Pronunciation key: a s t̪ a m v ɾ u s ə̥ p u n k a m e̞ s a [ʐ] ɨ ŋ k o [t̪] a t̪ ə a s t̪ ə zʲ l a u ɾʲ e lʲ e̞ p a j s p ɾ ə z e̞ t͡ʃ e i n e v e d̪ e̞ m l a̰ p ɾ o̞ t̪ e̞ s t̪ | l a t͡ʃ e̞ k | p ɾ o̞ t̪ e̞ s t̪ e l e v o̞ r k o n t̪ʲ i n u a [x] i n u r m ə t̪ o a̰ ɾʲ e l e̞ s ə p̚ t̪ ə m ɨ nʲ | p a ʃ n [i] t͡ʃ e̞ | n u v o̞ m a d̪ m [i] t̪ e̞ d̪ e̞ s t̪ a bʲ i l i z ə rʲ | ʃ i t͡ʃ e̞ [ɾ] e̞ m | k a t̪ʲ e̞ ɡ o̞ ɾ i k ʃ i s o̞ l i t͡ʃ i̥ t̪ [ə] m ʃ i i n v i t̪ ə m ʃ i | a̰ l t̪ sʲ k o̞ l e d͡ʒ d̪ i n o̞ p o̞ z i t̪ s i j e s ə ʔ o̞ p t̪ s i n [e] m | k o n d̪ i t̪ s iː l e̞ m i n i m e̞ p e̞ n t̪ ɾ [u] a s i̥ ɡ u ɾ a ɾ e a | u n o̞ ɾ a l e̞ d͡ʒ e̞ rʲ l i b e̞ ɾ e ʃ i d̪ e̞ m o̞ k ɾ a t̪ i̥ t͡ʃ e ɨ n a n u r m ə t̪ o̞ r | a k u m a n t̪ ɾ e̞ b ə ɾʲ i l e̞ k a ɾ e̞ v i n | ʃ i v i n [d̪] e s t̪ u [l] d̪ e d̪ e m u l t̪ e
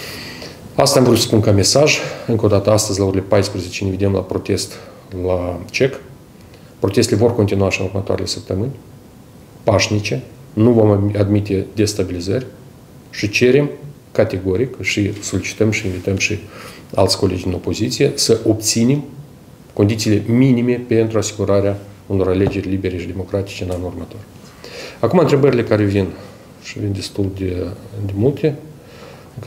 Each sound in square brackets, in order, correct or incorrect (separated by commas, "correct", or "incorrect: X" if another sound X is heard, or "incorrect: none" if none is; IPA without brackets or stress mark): incorrect: ʒ, incorrect: d̪, incorrect: ʃ, correct, correct, correct, correct, correct, correct, correct, correct